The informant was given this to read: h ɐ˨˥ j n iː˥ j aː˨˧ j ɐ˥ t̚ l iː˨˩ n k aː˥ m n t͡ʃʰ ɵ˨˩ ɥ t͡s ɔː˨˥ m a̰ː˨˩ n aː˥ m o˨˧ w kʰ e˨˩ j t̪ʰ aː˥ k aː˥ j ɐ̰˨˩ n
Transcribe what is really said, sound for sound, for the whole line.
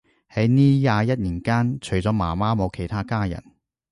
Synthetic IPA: h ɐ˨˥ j n iː˥ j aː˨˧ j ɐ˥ t̚ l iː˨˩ n k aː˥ n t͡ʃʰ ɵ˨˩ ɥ t͡s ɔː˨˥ m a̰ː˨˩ m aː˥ m o˨˧ w kʰ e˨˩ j t̪ʰ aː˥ k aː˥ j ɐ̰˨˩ n